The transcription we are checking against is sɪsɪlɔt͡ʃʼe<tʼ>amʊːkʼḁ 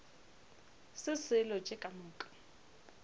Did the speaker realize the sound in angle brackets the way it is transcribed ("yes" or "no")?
no